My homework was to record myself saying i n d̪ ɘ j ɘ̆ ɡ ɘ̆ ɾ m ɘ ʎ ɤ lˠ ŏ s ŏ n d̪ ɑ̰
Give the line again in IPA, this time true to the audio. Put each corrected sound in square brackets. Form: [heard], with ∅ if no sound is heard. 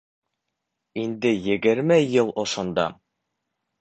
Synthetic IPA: i n d̪ ɘ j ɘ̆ ɡ ɘ̆ ɾ m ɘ [j] ɤ lˠ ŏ [ʃ] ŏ n d̪ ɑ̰